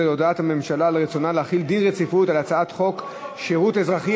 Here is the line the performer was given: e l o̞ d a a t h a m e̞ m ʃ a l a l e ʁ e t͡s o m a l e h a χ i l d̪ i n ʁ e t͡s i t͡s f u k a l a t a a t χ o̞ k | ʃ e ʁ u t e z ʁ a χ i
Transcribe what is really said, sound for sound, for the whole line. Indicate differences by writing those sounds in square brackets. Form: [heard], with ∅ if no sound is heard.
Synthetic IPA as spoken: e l o̞ d a a t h a m e̞ m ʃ a l a l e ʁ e t͡s o [n] a l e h a χ i l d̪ i n ʁ e t͡s i [∅] f u [t] a l a [t͡s] a a t χ o̞ k | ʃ e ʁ u t e z ʁ a χ i